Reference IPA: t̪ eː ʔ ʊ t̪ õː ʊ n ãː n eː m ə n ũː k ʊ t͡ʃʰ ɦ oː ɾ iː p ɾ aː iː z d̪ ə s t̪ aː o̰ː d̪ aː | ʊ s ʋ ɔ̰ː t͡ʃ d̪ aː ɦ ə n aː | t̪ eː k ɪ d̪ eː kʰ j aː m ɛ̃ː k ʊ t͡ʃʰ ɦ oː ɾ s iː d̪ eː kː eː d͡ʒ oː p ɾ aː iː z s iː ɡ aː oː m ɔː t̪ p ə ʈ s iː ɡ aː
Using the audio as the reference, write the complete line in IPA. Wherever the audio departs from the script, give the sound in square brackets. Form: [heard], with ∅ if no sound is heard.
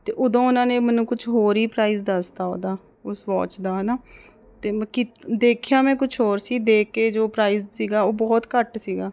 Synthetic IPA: t̪ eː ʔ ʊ [d̪] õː ʊ n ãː n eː m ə n ũː k ʊ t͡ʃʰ ɦ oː ɾ iː p ɾ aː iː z d̪ ə s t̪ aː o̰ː d̪ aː | ʊ s ʋ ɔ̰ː t͡ʃ d̪ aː ɦ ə n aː | t̪ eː k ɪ d̪ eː kʰ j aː m ɛ̃ː k ʊ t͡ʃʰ ɦ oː ɾ s iː d̪ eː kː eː d͡ʒ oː p ɾ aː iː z s iː ɡ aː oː [b] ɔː t̪ [k] ə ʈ s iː ɡ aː